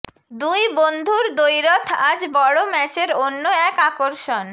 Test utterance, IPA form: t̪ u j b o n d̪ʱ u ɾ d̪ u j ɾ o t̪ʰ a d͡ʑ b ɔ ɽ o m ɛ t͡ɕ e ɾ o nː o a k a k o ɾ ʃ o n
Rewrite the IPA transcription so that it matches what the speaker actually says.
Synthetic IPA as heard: d̪ u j b o n d̪ʱ u ɾ d̪ o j ɾ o t̪ʰ a d͡ʑ b ɔ ɽ o m ɛ t͡ɕ e ɾ o nː o ɛ k a k o ɾ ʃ o n